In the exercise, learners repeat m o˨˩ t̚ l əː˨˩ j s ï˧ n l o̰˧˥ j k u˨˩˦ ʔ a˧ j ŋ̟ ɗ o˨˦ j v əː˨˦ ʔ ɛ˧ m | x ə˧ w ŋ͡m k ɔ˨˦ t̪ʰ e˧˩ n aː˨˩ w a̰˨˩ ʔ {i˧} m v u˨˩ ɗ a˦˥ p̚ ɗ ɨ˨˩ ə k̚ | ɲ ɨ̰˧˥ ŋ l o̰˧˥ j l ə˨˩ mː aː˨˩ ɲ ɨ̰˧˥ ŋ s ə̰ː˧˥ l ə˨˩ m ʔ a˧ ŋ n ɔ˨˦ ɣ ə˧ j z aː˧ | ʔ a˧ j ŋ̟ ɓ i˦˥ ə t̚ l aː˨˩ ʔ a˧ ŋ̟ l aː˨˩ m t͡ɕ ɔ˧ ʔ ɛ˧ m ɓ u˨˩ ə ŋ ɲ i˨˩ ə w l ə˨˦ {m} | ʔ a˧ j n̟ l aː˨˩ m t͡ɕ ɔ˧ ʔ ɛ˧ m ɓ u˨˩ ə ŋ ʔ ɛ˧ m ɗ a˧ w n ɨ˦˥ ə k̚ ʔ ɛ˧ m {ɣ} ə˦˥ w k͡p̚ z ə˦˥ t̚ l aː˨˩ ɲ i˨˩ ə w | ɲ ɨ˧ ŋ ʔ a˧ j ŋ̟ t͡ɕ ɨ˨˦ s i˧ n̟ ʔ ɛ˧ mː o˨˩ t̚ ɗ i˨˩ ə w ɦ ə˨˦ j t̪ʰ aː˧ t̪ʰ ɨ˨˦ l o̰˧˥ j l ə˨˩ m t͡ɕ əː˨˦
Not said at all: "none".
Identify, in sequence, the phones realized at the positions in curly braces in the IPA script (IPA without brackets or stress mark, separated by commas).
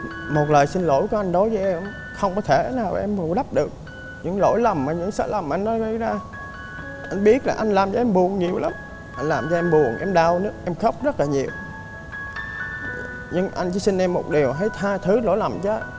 ɛ˧, m, x